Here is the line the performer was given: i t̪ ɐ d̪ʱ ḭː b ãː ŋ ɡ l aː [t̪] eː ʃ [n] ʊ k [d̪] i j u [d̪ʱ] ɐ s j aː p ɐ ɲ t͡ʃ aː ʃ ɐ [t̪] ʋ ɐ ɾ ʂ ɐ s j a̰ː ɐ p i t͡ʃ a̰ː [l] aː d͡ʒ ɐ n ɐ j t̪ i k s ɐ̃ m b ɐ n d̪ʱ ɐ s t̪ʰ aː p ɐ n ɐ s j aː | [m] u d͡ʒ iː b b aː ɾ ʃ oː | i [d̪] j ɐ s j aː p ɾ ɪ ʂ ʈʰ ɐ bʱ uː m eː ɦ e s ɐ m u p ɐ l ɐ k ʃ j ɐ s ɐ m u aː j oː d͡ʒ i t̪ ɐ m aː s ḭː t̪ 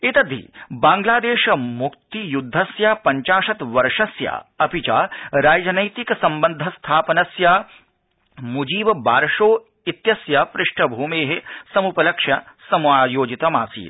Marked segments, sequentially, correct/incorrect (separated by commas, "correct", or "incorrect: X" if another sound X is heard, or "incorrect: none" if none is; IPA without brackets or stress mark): incorrect: d̪, incorrect: m, incorrect: t̪, incorrect: d̪ʱː, correct, incorrect: ɾ, correct, incorrect: t̪